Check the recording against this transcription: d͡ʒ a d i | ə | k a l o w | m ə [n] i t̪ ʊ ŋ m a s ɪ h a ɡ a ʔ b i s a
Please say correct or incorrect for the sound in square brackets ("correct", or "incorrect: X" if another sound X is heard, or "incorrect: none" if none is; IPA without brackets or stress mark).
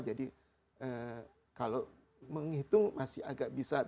incorrect: ŋ